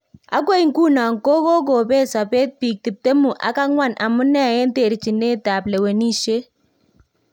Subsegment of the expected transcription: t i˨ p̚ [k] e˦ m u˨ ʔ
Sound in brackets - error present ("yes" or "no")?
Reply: yes